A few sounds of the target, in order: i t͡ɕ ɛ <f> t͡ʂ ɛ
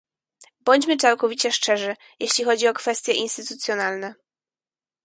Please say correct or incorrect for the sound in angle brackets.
incorrect